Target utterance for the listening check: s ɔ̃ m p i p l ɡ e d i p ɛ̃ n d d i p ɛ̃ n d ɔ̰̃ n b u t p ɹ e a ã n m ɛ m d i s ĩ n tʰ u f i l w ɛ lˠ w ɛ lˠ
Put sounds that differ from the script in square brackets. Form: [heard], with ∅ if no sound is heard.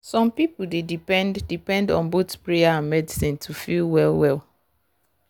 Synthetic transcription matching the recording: s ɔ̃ m p i p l [d] e d i p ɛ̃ n d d i p ɛ̃ n d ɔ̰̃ n b [o] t p ɹ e a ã n m ɛ [∅] d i s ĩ n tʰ u f i l w ɛ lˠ w ɛ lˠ